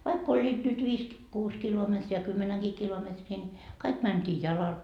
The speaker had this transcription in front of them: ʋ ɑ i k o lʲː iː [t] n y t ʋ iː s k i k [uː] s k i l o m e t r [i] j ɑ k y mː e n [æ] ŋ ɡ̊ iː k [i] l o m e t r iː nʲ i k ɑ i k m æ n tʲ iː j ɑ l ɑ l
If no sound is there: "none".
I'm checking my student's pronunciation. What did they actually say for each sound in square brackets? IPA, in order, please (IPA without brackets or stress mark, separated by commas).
t, uː, i, æ, i